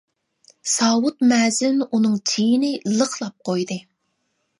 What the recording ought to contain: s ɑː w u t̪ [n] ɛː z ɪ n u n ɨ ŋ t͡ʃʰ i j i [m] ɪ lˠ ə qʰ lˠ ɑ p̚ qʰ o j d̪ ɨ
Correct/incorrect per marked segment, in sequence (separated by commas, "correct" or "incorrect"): incorrect, incorrect